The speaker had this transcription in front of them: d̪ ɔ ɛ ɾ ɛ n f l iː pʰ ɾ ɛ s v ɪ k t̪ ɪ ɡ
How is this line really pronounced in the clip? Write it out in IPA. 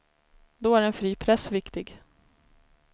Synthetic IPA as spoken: d̪ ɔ æ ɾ ɛ n f ɾ iː pʰ ɾ ɛ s v ɪ k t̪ ɪ ɡ